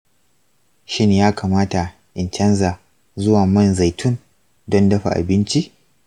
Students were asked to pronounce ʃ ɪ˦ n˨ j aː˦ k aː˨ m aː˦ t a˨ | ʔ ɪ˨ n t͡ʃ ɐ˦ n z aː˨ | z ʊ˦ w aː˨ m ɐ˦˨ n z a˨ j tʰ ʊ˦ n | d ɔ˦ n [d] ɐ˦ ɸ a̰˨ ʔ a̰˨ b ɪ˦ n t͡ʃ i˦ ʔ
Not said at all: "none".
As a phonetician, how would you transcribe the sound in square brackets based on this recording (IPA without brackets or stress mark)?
d